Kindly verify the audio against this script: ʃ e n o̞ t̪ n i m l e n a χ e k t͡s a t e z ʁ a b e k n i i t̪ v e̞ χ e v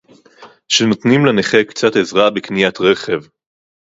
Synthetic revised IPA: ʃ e n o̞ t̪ n i m l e n e χ e k t͡s a t e z ʁ a b e k n i a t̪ ʁ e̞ χ e v

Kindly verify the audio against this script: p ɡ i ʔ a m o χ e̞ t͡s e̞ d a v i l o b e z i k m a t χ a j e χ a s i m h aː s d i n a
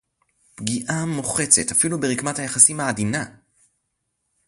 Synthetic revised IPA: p ɡ i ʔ a m o χ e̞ t͡s e̞ t a f i l u b e ʁ i k m a t h a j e χ a s i m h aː d i n a

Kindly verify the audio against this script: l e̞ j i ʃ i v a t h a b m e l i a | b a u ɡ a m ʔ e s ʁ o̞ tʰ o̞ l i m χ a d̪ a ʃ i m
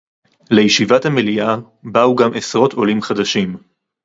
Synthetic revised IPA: l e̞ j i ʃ i v a t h a m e l i a | b a u ɡ a m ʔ e s ʁ o̞ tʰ o̞ l i m χ a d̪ a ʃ i m

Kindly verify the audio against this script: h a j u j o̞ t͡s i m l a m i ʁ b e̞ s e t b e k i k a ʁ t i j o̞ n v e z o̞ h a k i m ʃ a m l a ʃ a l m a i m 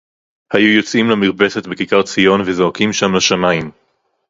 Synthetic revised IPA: h a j u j o̞ t͡s i m l a m i ʁ b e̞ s e t b e k i k a ʁ t͡s i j o̞ n v e z o̞ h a k i m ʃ a m l a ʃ a m a i m

